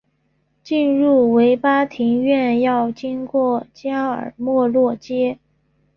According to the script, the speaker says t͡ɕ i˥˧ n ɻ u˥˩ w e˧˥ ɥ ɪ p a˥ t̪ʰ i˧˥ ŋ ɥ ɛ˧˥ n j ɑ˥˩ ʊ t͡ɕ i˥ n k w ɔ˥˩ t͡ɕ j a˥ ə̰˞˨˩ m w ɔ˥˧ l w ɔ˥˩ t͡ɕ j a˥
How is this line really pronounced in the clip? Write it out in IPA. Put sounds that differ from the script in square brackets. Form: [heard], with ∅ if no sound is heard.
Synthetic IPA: t͡ɕ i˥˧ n ɻ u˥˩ w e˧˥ [∅] ɪ p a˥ t̪ʰ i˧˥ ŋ ɥ [ɛ˥˧] n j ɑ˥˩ ʊ t͡ɕ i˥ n k w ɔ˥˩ t͡ɕ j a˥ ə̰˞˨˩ m w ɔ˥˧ l w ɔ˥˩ t͡ɕ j [ɛ˥]